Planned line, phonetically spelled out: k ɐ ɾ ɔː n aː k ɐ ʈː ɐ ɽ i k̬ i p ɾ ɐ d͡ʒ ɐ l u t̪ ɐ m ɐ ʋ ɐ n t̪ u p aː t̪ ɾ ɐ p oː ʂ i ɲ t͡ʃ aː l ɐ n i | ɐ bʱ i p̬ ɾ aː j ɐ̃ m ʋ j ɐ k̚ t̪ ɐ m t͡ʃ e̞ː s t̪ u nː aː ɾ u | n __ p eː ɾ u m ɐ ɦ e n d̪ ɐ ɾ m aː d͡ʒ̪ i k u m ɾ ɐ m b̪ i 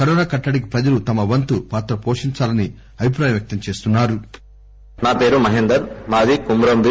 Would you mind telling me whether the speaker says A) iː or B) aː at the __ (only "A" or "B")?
B